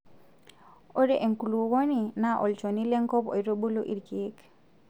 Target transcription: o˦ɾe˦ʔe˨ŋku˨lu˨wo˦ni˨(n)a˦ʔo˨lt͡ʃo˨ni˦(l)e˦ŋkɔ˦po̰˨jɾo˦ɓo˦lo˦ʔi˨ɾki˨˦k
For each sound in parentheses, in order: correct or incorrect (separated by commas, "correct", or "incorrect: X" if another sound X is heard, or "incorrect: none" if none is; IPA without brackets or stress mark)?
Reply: correct, correct